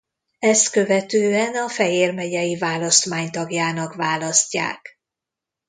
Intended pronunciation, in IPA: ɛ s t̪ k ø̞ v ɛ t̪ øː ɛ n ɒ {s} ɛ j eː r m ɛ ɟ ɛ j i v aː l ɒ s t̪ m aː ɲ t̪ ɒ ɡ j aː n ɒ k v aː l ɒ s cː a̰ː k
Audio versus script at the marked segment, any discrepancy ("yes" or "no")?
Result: yes